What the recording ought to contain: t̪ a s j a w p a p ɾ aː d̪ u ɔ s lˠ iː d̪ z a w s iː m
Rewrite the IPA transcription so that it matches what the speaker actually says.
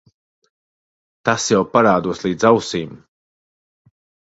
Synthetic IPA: t̪ a s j a w p a ɾ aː d̪ u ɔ s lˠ iː d̪ z a w s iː m